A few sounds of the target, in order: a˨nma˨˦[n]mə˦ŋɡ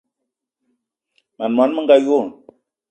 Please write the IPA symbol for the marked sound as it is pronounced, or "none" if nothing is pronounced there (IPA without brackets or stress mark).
n